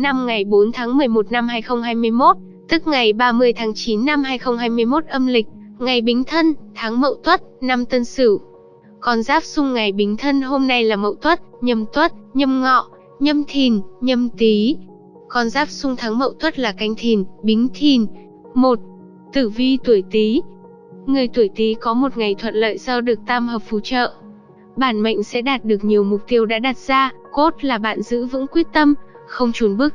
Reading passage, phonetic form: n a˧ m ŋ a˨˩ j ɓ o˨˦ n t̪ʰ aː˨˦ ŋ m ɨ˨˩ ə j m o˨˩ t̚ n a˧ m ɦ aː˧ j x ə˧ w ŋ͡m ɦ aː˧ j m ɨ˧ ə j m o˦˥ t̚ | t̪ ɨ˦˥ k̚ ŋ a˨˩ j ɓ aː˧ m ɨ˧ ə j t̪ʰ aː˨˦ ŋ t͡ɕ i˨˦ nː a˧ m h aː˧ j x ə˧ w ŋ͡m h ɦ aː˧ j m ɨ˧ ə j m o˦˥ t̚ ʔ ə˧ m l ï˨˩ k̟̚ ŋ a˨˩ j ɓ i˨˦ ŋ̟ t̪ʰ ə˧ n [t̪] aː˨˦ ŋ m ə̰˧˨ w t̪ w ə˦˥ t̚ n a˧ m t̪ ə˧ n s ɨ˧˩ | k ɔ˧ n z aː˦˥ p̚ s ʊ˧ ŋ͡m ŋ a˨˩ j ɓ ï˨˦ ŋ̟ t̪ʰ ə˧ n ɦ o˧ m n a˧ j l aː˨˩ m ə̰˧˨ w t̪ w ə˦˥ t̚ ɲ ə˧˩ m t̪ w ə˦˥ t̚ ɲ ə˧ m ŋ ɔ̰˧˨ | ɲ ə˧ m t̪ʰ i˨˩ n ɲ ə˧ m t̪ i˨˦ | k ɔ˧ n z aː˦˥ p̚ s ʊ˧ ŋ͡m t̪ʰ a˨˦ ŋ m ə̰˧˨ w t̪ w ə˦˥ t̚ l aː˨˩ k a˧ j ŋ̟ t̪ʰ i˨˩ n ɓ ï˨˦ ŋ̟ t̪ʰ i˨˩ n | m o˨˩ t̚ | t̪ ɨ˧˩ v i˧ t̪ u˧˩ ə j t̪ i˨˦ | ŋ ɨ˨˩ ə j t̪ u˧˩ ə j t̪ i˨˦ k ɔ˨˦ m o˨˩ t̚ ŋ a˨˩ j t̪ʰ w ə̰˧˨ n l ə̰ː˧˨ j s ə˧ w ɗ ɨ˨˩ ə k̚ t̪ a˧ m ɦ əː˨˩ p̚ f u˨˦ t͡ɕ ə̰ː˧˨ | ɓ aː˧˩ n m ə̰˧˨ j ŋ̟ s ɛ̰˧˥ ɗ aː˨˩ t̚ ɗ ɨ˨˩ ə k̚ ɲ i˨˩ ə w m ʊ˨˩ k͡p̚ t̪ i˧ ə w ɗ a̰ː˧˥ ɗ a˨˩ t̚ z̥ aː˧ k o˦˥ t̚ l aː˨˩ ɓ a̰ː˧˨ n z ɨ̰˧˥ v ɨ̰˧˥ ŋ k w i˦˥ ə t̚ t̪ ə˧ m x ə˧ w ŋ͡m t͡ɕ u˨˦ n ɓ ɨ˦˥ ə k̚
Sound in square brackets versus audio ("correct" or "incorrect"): incorrect